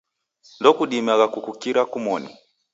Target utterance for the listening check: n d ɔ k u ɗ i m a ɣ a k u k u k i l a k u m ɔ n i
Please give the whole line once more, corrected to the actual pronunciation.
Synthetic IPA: n d ɔ k u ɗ i m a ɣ a k u k u k i ɾ a k u m ɔ n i